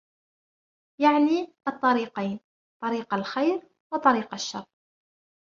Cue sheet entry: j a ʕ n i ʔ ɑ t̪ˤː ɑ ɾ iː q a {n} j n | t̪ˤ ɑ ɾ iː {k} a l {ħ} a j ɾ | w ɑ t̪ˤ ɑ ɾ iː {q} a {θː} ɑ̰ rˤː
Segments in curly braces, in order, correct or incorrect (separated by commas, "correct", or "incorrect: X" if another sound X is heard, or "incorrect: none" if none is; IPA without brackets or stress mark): incorrect: none, incorrect: q, incorrect: x, correct, incorrect: ʃː